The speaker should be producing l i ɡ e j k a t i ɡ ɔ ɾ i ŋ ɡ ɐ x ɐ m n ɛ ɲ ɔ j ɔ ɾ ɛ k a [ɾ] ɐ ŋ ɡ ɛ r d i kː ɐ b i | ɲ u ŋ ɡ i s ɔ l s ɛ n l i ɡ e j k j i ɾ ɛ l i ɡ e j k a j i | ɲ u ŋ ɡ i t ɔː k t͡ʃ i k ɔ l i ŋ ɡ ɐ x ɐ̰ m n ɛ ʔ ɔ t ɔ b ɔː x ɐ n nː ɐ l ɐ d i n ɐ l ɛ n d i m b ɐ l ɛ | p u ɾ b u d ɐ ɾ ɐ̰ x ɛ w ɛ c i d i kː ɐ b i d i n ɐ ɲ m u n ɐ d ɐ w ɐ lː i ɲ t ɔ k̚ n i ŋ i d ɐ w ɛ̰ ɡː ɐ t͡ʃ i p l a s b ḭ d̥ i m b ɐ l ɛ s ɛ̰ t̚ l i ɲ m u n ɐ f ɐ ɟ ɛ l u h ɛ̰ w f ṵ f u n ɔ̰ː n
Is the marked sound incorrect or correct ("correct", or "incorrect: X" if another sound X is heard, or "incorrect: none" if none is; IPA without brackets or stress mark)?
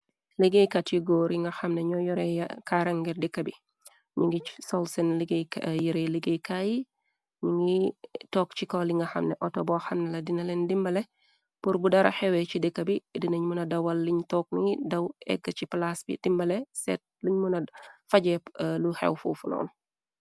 correct